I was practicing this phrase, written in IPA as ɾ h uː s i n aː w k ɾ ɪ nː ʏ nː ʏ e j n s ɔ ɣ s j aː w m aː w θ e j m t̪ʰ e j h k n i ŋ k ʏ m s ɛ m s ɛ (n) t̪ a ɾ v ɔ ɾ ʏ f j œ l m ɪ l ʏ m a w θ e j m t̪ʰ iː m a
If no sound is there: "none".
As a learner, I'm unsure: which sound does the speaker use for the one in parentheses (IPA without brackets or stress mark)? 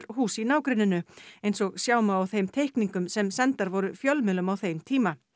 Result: n